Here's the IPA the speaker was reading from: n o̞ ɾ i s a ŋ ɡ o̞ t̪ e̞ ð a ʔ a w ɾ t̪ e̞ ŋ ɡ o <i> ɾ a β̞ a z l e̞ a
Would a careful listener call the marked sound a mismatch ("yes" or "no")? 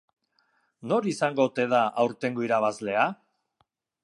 no